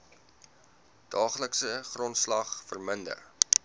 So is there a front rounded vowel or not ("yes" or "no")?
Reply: no